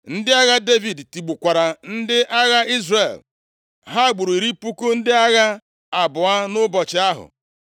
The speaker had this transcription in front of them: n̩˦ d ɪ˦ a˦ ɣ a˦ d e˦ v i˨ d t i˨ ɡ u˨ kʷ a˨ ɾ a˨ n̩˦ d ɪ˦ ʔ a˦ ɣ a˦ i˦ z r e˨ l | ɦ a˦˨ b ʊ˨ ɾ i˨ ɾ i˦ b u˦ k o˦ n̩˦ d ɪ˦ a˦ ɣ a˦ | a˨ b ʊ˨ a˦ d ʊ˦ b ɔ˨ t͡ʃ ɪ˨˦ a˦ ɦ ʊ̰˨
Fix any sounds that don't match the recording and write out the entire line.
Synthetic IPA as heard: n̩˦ d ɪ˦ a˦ ɣ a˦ d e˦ v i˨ d t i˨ ɡ͡b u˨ kʷ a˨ ɾ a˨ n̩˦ d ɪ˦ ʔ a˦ ɣ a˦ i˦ z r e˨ l | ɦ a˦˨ ɡ͡b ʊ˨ ɾ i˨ ɾ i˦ p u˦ k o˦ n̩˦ d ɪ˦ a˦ ɣ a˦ | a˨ b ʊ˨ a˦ n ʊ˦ b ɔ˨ t͡ʃ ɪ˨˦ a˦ ɦ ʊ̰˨